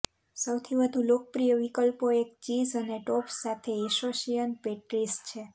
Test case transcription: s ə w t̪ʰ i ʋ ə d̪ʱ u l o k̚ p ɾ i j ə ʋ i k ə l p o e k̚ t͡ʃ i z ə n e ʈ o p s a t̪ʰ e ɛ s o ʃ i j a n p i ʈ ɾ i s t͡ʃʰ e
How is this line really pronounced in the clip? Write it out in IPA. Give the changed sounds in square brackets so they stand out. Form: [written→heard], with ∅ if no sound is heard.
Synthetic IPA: s ə w t̪ʰ i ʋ ə d̪ʱ u l o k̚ p ɾ i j ə ʋ i k ə l p o e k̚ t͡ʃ i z ə n e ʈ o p s a t̪ʰ e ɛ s o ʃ i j [a→ə] n p [i→e] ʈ ɾ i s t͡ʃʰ e